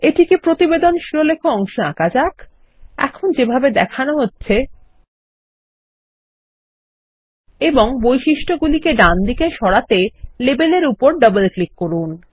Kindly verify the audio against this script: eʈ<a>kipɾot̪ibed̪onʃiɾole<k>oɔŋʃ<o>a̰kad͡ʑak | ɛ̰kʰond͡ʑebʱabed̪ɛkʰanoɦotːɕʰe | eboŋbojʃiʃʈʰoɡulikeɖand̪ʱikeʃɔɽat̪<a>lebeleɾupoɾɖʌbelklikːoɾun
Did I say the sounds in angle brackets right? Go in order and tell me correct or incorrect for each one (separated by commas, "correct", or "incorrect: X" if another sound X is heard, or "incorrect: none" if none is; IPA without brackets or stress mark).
incorrect: i, incorrect: kʰ, correct, incorrect: e